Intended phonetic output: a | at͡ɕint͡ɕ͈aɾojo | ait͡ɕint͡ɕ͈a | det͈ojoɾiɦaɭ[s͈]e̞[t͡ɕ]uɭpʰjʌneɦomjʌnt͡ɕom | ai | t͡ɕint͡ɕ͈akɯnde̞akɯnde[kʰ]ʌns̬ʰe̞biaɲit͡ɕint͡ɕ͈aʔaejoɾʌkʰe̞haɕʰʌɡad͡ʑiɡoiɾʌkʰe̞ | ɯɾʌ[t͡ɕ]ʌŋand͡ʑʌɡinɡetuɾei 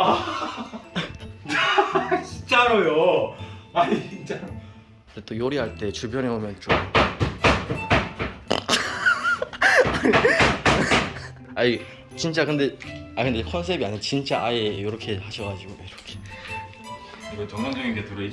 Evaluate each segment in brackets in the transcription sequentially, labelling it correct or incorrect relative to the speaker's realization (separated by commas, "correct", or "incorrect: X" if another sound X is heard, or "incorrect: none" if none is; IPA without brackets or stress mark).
incorrect: t͈, correct, correct, correct